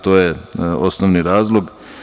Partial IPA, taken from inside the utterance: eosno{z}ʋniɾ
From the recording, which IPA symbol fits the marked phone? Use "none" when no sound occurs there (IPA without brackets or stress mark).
none